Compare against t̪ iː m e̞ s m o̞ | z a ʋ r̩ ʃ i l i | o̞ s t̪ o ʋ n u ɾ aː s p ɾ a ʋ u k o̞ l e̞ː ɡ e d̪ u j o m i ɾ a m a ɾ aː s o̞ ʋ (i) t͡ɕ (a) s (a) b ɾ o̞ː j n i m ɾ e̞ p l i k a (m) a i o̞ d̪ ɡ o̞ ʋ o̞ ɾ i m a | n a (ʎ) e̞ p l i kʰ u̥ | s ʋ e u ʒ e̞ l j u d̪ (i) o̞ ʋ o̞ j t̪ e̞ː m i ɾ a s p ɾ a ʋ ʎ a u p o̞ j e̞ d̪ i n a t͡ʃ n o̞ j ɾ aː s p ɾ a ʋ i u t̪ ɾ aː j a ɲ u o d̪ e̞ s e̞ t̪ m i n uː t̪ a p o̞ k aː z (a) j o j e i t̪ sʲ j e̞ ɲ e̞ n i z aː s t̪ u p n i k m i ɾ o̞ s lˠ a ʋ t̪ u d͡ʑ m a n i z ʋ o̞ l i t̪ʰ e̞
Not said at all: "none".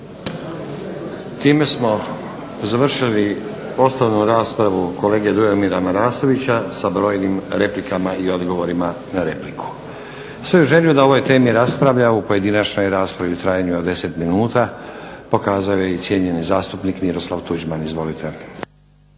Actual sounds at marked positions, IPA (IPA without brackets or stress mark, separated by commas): i, a, a, m, ɾ, a, a